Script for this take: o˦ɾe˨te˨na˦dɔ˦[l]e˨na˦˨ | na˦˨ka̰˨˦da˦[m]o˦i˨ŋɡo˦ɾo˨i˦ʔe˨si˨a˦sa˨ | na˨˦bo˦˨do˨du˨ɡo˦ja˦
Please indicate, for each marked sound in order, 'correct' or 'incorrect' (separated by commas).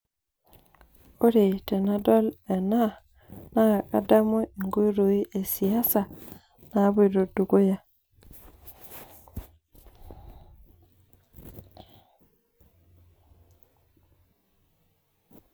correct, correct